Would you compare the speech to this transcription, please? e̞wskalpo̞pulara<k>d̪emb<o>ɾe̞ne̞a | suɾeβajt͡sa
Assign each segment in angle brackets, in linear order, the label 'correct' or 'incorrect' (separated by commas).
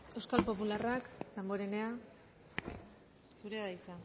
correct, correct